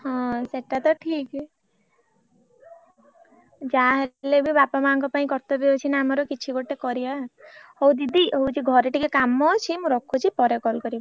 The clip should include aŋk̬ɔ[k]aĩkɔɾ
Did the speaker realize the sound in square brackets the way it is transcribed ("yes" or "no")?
no